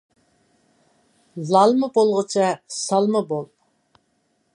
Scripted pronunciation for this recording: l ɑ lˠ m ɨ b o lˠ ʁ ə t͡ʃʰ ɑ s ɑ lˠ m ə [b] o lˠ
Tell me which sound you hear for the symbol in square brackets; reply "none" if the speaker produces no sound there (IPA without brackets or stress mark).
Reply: b